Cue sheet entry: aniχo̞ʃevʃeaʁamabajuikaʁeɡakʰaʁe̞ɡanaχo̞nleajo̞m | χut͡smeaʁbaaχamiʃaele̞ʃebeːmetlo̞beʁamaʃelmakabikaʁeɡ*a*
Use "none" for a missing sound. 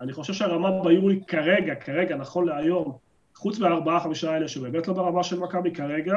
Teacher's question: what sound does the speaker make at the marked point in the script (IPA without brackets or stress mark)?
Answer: a